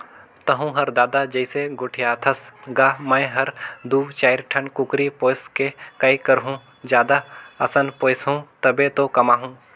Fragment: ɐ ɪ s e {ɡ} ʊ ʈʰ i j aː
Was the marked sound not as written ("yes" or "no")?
no